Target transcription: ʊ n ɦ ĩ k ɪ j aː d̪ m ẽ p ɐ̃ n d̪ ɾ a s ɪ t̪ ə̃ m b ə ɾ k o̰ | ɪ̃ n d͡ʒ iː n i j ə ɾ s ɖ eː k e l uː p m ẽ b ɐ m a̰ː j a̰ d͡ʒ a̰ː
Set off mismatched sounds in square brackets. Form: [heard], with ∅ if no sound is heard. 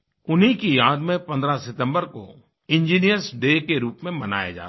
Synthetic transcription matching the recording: ʊ n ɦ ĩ k [i] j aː d̪ m ẽ p ɐ̃ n d̪ ɾ a s ɪ t̪ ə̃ m b ə ɾ k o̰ | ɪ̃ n d͡ʒ iː n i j ə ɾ s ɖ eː k e [ɾ] uː p m ẽ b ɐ [n] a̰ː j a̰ d͡ʒ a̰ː

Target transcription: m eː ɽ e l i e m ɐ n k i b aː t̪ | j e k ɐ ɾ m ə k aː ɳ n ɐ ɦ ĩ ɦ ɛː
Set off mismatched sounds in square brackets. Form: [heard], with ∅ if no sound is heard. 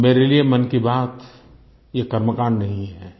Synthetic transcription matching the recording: m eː [ɾ] e l i e m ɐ n k i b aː t̪ | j e k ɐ ɾ m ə k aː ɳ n ɐ ɦ ĩ ɦ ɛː

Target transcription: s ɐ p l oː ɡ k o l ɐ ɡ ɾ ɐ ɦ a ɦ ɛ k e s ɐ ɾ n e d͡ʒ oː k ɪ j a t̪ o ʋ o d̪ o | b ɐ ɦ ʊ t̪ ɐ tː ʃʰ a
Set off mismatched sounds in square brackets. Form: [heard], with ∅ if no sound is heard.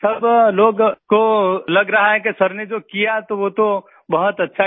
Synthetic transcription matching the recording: s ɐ [b] l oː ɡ k o l ɐ ɡ ɾ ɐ ɦ a ɦ ɛ k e s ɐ ɾ n e d͡ʒ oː k [i] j a t̪ o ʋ o [t̪] o | b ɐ ɦ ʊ t̪ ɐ tː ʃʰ a

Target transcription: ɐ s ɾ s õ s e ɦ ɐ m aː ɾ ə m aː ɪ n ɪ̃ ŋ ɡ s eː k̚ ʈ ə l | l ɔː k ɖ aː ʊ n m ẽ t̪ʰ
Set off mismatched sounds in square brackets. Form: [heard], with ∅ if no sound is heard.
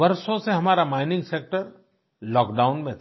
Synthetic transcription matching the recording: ɐ [∅] ɾ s õ s e ɦ ɐ m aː ɾ [a] m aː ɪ n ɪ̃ ŋ ɡ s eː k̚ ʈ ə [ɾ] | l ɔː k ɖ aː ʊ n m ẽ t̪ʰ

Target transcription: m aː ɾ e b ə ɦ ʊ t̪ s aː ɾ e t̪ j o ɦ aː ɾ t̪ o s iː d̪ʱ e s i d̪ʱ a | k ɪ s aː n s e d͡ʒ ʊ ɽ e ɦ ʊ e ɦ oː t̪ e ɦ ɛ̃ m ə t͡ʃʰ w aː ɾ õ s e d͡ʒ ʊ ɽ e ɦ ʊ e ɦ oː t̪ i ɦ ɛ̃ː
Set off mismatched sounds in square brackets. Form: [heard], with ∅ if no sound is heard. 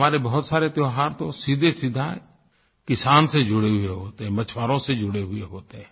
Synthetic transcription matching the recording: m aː ɾ e b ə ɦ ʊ t̪ s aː ɾ e t̪ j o ɦ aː ɾ t̪ o s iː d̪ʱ e s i d̪ʱ a | k ɪ s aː n s e d͡ʒ ʊ ɽ e ɦ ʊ e ɦ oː t̪ e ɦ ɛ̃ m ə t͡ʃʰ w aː ɾ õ s e d͡ʒ ʊ ɽ e ɦ ʊ e ɦ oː t̪ [e] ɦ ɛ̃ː

